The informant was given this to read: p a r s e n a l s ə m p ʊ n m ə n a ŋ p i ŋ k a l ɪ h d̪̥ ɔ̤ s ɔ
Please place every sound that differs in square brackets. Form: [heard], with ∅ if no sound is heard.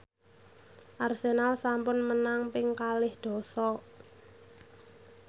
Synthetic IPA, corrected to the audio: [ʔ] a r s e n a l s [a] m p ʊ n m ə n a ŋ p [ɪ] ŋ k a l ɪ h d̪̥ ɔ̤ s ɔ